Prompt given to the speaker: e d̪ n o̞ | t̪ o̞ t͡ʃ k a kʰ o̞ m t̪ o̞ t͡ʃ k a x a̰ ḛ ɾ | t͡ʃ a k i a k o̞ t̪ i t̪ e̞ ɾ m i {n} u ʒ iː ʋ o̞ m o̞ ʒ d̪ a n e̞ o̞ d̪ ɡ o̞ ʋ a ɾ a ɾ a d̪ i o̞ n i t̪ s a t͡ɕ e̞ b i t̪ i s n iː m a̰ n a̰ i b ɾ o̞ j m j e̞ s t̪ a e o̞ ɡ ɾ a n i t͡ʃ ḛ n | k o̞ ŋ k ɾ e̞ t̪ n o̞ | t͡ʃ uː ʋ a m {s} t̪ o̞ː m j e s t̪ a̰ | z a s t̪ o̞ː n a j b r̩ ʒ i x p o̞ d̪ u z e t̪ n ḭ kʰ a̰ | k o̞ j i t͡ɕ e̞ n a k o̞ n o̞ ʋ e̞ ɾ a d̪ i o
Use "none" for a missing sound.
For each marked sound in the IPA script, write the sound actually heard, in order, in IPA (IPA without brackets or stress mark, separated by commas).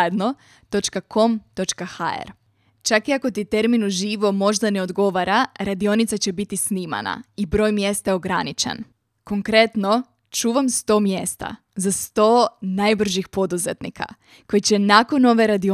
n, s